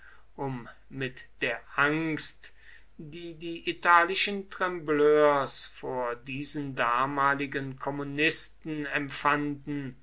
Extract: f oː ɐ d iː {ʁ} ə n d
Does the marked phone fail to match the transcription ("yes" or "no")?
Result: yes